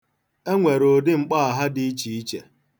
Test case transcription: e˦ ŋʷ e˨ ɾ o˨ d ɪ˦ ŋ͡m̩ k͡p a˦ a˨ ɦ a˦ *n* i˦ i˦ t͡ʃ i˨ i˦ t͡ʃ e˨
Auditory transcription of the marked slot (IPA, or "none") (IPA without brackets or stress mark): d